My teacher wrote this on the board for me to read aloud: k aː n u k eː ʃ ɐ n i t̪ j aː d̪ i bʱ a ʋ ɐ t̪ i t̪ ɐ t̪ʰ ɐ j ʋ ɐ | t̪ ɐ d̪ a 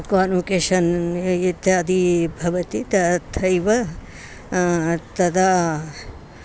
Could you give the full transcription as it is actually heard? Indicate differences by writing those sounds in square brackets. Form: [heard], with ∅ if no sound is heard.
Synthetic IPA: k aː n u k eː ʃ ɐ n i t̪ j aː d̪ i bʱ [ɐ] ʋ ɐ t̪ i t̪ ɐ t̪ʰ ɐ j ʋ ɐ | t̪ ɐ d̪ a